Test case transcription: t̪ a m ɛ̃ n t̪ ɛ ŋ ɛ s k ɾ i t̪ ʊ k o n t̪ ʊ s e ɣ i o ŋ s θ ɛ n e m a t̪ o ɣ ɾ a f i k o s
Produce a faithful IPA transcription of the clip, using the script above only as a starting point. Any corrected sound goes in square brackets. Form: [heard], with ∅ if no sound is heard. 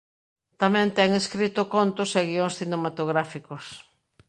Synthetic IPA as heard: t̪ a m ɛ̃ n t̪ ɛ ŋ [e] s k ɾ i t̪ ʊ k o n t̪ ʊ s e ɣ i o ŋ s θ [i] n e m a t̪ o ɣ ɾ a f i k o s